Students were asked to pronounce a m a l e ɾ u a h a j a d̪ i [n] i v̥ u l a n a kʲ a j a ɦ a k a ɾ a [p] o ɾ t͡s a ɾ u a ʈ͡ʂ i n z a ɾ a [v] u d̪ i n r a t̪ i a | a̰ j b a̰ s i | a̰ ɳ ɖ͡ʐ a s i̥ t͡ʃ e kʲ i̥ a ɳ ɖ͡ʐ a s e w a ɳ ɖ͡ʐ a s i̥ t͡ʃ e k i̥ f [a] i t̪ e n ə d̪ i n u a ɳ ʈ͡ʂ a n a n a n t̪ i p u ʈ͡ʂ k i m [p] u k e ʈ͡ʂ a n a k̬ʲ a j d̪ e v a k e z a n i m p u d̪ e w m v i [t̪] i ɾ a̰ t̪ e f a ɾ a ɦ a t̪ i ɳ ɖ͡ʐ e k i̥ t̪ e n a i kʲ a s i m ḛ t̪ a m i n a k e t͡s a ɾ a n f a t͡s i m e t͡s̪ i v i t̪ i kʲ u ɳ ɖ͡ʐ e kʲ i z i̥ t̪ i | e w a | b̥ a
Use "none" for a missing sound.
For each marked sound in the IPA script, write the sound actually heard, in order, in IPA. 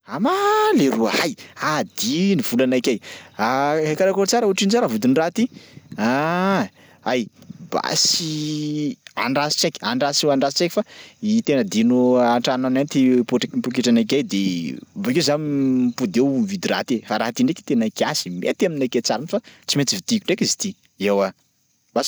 n, k, v, a, p, d̪

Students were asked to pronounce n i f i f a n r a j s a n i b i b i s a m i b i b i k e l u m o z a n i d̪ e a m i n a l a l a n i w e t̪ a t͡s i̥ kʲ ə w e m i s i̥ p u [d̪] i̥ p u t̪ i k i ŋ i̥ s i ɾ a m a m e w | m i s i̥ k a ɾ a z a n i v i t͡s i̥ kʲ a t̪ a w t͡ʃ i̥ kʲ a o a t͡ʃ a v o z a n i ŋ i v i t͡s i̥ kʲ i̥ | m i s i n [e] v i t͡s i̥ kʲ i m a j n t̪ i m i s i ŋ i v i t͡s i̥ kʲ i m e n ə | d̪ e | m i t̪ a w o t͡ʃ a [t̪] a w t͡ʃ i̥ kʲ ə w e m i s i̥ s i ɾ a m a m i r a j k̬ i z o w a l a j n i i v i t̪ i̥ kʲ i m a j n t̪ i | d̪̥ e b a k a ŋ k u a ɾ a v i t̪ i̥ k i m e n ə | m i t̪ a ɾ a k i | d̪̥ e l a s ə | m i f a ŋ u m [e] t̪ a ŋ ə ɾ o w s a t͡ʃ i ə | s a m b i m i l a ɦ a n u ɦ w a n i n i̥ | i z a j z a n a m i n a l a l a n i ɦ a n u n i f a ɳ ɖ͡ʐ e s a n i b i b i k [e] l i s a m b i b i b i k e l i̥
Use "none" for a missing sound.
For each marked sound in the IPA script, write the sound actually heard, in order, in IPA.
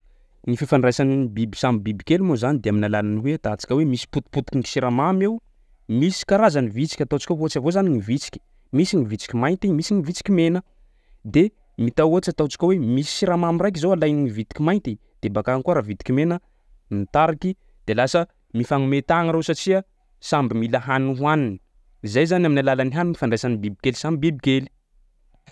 t̪, i, t̪, e, e

